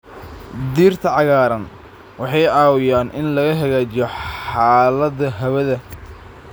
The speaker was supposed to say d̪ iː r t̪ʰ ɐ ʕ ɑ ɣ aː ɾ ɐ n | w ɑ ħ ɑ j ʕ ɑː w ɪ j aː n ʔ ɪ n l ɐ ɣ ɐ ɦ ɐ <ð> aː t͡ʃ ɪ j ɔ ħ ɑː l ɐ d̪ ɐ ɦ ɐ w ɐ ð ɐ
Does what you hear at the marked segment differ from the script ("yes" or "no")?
yes